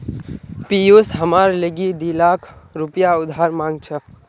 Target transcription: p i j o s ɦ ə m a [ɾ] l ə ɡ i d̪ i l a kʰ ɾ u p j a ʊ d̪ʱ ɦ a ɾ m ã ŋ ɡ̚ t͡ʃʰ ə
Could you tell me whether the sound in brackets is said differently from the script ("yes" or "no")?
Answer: no